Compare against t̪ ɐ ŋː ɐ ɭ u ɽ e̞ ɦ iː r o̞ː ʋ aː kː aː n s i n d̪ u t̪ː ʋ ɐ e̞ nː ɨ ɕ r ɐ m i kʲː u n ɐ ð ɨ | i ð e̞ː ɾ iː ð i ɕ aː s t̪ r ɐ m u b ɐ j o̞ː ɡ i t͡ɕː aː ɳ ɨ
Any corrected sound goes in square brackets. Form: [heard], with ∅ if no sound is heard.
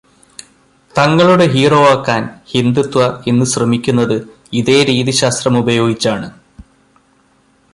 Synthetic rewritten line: t̪ ɐ ŋː ɐ ɭ u ɽ e̞ ɦ iː r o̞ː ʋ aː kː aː n [h] i n d̪ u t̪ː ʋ ɐ e̞ nː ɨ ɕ r ɐ m i kʲː u [nː] ɐ ð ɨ | i ð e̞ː ɾ iː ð i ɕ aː s t̪ r ɐ m u b ɐ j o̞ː ɡ i t͡ɕː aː ɳ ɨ